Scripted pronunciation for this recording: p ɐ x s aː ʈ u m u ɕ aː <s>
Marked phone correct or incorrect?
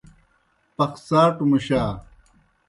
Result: incorrect